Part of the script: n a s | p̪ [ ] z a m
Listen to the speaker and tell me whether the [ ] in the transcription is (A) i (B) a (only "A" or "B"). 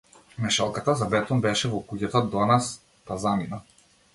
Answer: B